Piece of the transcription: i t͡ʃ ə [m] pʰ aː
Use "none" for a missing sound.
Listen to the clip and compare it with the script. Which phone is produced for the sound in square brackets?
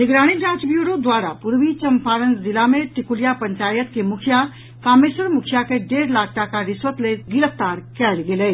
m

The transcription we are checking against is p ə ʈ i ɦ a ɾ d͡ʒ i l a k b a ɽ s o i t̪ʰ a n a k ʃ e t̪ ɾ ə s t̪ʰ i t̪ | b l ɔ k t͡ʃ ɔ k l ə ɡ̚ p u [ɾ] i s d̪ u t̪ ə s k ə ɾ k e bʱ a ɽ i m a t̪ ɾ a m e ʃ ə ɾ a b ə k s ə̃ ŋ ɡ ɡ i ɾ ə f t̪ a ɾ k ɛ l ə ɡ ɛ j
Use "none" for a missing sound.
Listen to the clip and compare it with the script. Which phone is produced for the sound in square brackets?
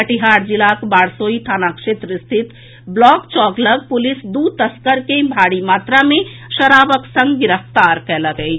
l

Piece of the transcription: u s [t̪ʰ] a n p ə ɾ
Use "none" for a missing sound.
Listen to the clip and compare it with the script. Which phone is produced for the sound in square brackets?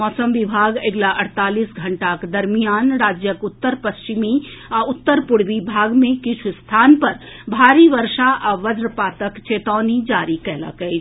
t̪ʰ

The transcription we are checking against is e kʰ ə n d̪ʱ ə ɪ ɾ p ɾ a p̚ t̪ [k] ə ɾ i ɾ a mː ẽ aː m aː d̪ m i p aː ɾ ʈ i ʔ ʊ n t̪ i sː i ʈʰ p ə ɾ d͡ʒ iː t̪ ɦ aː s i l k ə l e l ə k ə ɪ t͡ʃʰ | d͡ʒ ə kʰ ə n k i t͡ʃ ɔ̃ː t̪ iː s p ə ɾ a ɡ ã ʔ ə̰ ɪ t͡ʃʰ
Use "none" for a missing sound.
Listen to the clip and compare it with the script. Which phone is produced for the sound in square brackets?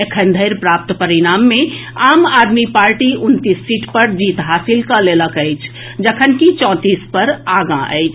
p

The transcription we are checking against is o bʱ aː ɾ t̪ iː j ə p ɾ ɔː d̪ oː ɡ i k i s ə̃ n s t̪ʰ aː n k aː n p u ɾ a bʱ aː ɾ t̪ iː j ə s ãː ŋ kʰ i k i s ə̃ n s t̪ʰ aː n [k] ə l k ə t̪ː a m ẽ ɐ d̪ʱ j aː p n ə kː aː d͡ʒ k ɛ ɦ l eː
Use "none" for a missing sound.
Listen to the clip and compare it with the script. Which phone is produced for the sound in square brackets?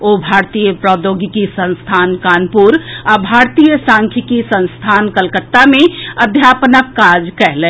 k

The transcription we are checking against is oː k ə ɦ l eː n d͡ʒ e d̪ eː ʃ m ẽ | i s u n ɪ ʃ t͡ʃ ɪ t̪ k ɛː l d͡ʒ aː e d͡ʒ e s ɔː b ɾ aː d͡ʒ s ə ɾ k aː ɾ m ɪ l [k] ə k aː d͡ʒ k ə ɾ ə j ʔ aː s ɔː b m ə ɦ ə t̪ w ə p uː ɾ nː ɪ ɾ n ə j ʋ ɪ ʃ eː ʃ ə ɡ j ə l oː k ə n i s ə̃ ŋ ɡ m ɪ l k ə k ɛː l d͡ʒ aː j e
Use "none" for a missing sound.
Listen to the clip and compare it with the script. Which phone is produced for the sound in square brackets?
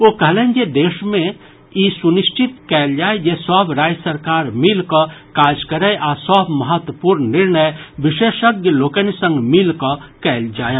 k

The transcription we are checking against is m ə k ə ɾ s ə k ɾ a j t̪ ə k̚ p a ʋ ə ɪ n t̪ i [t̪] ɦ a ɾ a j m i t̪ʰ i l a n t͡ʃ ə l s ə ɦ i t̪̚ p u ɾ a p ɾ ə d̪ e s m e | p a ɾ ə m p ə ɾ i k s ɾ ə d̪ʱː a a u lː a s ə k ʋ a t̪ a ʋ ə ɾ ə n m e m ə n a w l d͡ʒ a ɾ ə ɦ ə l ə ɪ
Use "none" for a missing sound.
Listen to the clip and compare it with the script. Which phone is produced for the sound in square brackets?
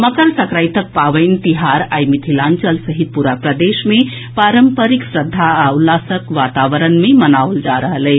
none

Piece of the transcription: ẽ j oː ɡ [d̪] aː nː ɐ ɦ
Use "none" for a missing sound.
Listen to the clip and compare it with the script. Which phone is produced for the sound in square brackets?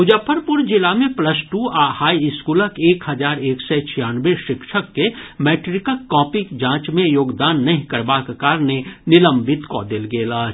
d̪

